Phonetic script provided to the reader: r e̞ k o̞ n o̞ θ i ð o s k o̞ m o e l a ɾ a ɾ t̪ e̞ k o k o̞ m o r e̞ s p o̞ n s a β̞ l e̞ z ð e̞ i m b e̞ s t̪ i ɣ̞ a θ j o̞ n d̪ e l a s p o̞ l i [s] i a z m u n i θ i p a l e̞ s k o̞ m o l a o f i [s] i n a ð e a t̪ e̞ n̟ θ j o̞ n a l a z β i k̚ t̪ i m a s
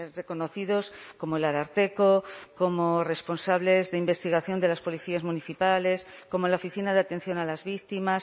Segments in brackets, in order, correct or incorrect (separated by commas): incorrect, incorrect